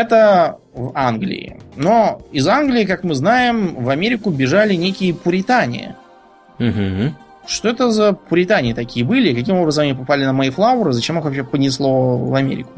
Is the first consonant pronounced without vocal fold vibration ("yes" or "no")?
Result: yes